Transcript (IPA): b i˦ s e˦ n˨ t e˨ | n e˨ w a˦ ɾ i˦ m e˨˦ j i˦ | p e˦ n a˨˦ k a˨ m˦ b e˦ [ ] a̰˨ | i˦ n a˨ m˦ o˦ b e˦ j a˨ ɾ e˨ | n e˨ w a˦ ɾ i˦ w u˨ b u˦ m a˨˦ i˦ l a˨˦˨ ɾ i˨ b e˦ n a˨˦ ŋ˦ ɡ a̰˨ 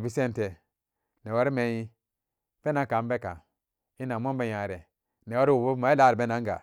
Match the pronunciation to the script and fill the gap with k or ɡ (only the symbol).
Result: k